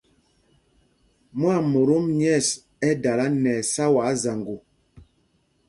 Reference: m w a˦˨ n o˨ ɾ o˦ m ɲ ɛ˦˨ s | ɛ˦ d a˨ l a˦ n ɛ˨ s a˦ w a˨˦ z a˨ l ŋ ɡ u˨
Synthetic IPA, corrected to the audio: m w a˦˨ m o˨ ɾ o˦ m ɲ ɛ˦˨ s | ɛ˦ d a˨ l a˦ n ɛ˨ s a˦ w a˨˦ z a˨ ŋ ɡ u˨